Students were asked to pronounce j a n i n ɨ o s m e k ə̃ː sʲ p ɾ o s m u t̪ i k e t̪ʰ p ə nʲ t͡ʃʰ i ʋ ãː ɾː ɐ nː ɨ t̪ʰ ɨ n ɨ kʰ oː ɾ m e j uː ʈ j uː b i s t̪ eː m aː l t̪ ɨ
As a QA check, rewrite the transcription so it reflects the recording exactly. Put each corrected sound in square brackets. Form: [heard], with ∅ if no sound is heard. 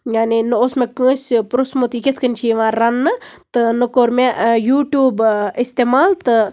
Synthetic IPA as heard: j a n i n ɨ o s m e k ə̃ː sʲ p ɾ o s m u t̪ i k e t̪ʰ [k] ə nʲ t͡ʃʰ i ʋ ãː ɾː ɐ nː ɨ [t̪] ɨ n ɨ [k] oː ɾ m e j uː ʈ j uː b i s t̪ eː m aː l t̪ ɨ